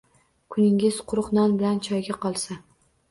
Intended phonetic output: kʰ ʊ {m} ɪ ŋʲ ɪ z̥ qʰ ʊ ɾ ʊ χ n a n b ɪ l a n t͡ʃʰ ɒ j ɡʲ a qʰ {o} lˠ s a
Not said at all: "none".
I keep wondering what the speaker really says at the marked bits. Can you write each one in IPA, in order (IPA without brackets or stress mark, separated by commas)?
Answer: n, ɒ